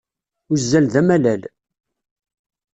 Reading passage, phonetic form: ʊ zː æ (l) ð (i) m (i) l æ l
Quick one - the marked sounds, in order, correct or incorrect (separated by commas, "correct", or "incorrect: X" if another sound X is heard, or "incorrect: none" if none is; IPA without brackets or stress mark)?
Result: correct, incorrect: æ, incorrect: æ